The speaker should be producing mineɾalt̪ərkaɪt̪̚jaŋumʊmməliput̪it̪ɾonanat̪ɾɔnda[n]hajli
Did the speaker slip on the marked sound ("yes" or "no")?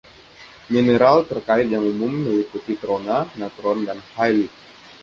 no